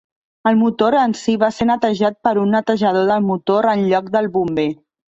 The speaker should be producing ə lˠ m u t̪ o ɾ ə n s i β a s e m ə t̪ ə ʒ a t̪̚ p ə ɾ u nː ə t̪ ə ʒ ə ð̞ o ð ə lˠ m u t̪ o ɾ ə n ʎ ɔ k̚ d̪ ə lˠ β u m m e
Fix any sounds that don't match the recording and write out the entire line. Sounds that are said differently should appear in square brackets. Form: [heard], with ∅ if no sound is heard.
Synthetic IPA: ə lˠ m u t̪ o ɾ ə n s i β a s e [n] ə t̪ ə ʒ a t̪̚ p ə ɾ u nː ə t̪ ə ʒ ə ð̞ o ð ə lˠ m u t̪ o ɾ ə n ʎ ɔ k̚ d̪ ə lˠ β u m [b] e